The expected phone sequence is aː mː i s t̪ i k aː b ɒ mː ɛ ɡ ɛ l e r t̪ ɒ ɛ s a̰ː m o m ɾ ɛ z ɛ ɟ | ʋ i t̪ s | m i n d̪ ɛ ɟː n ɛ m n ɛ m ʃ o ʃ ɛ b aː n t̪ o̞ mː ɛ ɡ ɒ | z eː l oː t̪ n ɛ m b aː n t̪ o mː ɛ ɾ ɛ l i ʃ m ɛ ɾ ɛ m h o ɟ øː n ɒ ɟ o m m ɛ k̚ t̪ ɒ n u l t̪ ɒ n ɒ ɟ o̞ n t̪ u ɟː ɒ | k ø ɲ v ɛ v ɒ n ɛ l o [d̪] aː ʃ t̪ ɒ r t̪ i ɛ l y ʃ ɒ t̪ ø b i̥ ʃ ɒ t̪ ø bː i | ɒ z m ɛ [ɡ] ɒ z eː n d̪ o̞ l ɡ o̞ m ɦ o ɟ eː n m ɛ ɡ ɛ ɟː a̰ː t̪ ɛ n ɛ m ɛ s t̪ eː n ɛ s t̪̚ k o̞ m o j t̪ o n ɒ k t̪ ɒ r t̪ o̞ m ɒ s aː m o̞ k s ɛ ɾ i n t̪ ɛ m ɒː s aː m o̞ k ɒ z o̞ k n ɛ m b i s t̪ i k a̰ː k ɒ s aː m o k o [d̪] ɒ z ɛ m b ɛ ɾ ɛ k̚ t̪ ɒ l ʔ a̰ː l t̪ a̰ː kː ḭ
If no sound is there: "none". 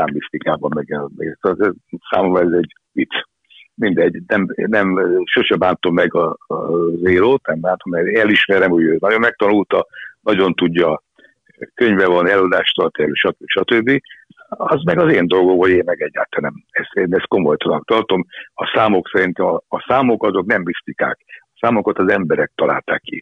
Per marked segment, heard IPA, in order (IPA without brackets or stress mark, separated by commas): d̪, ɡ, t̪